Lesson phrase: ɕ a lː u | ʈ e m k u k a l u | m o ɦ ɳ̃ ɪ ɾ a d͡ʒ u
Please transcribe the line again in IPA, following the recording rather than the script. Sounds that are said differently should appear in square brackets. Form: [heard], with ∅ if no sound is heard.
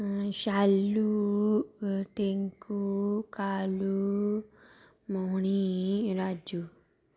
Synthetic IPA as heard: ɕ a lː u | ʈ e [ŋ] k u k a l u | m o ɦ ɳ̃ [i] ɾ a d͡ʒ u